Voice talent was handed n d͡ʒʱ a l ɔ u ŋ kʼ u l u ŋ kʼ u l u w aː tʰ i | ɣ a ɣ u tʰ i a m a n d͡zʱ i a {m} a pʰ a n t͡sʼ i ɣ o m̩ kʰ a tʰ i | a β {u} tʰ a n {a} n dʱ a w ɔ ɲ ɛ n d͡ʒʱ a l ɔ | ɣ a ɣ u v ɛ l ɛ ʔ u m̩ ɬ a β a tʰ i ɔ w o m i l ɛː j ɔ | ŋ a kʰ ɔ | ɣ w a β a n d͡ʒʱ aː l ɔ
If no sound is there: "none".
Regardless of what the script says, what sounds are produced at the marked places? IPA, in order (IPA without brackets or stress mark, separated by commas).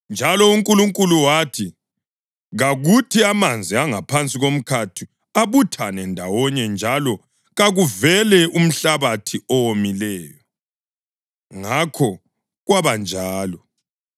ŋ, u, ɛ